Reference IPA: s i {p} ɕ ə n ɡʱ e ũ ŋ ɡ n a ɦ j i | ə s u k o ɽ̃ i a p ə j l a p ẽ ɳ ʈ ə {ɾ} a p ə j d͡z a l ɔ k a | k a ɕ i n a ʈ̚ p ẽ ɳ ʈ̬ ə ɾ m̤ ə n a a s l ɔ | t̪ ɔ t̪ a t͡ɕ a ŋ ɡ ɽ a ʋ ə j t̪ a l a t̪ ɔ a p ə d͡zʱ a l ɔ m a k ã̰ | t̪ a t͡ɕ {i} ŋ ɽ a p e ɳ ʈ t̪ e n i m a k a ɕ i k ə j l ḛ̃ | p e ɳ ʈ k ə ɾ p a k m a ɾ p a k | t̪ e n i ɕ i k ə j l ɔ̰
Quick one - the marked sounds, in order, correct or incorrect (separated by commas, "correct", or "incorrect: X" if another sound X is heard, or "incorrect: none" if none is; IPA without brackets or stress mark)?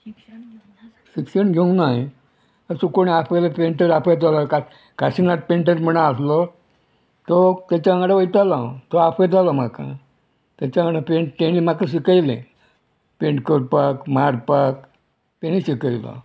incorrect: k, correct, incorrect: a